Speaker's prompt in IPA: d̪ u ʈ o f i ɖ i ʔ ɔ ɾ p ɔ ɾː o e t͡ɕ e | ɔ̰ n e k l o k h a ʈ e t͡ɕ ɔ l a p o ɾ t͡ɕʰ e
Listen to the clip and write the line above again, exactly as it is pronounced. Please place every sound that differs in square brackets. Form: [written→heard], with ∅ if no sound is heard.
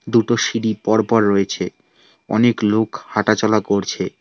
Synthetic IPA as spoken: d̪ u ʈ o [f→ʃ] i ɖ i [ʔ→p] ɔ ɾ p ɔ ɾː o e [t͡ɕ→t͡ɕʰ] e | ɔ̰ n e k l o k h a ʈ [e→a] t͡ɕ ɔ l a [p→k] o ɾ t͡ɕʰ e